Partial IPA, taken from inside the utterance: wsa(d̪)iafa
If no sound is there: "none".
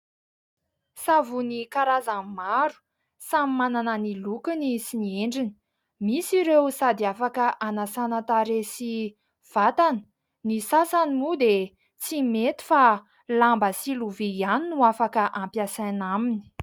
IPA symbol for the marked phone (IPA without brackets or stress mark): d̪